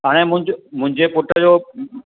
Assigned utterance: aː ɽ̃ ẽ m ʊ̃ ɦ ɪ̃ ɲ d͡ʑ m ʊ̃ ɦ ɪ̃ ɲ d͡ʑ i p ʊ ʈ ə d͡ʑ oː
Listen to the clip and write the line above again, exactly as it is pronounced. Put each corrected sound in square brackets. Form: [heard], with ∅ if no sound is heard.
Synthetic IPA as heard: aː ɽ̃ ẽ m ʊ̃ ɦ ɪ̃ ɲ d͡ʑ m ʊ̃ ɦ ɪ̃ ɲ d͡ʑ [e] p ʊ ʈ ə d͡ʑ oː